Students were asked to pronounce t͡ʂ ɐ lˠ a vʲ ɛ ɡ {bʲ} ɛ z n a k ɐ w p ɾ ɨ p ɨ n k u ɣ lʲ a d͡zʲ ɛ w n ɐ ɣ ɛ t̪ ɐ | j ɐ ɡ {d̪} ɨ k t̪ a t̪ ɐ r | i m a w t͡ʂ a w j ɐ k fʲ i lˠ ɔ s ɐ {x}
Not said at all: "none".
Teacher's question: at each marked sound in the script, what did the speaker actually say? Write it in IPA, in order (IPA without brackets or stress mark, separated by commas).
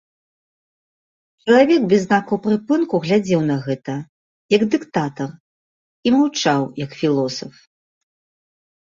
bʲ, d̪, f